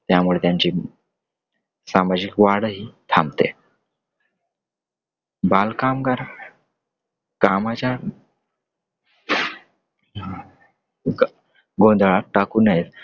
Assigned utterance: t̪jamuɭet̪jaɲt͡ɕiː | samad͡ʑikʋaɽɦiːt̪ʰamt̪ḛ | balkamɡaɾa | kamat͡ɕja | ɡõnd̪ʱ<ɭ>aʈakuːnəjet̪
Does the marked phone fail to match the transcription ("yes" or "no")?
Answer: no